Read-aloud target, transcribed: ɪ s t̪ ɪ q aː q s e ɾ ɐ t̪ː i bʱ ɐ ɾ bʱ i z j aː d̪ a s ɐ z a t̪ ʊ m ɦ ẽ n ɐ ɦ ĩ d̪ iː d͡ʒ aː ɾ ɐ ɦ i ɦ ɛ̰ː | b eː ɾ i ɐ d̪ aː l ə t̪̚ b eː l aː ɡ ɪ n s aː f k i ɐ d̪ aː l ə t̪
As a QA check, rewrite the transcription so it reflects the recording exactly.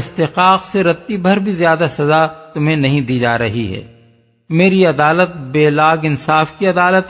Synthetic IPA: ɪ s t̪ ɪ q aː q s e ɾ ɐ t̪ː i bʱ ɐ ɾ bʱ i z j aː d̪ a s ɐ z a t̪ ʊ m ɦ ẽ n ɐ ɦ ĩ d̪ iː d͡ʒ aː ɾ ɐ ɦ i ɦ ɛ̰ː | m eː ɾ i ɐ d̪ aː l ə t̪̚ b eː l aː ɡ ɪ n s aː f k i ɐ d̪ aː l ə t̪